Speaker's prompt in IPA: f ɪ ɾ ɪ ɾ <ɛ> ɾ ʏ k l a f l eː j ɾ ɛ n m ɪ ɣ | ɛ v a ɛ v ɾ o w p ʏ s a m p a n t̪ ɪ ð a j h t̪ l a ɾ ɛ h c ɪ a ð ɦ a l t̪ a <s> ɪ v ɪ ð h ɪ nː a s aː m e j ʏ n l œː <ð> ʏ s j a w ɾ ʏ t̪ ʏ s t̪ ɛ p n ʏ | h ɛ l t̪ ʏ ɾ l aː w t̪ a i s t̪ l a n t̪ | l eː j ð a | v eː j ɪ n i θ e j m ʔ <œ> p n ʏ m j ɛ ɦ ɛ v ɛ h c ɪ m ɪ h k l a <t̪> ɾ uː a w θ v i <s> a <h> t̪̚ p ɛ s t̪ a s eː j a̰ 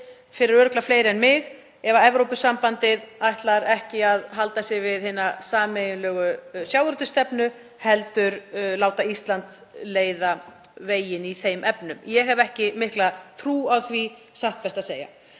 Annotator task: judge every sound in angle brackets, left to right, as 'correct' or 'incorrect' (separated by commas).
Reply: incorrect, correct, incorrect, incorrect, incorrect, correct, correct